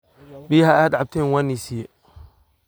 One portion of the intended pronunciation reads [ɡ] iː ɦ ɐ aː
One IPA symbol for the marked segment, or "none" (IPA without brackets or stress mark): b